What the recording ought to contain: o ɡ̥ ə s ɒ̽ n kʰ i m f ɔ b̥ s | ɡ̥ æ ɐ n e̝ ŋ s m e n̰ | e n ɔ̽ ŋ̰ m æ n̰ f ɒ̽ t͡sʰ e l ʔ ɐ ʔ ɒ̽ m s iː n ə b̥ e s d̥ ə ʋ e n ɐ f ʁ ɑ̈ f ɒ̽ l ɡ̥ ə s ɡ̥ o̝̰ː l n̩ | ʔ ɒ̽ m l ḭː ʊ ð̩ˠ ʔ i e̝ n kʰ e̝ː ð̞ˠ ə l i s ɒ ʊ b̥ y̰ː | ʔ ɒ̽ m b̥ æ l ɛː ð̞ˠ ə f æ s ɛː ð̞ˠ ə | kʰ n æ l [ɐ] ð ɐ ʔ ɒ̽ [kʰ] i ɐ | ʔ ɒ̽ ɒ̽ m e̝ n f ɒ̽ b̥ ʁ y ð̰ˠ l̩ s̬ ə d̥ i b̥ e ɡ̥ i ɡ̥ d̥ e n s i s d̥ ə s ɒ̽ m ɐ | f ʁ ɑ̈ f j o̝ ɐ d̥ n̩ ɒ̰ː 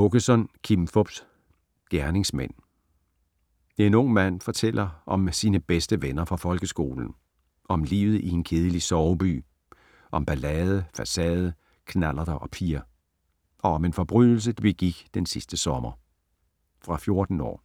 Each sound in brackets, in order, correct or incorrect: correct, incorrect

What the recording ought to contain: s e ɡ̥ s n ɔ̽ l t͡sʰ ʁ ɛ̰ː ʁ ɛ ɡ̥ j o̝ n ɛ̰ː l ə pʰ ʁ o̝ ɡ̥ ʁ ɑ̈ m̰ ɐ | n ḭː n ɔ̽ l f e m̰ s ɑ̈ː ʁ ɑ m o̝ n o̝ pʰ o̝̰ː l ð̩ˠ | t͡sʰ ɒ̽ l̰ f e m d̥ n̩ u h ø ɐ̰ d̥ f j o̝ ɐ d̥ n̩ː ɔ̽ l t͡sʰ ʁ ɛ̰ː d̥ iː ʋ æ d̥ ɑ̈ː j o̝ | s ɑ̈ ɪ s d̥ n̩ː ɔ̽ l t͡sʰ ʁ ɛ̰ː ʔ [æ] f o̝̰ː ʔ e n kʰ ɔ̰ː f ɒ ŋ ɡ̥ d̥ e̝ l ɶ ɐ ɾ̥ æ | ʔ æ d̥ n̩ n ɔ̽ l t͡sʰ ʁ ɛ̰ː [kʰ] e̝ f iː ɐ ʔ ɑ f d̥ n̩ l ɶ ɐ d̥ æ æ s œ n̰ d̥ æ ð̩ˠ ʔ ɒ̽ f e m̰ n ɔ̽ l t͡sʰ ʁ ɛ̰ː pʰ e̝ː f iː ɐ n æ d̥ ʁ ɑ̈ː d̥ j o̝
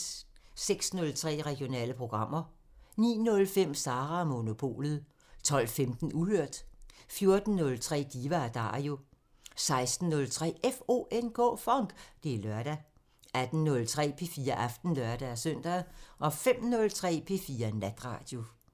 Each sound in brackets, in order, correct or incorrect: incorrect, incorrect

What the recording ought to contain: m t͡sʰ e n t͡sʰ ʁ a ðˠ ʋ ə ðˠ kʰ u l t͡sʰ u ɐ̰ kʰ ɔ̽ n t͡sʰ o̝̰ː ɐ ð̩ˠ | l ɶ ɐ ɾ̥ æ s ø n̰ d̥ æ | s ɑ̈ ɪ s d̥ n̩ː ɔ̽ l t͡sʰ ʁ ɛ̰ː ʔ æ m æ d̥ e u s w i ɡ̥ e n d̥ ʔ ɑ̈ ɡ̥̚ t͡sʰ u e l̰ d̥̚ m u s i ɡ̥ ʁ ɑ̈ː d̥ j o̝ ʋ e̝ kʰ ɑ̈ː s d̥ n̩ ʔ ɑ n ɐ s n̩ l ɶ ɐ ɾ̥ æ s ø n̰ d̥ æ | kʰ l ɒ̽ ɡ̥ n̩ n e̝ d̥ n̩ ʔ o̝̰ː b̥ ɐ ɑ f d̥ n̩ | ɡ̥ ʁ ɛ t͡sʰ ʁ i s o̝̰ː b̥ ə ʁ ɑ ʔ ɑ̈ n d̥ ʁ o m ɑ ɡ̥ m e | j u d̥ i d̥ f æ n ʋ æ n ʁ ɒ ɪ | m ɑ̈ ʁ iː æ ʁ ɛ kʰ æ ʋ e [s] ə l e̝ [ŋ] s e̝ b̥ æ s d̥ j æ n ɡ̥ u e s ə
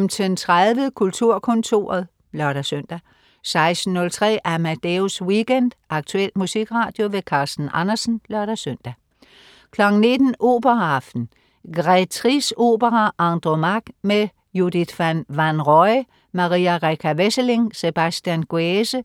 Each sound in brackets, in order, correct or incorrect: correct, correct

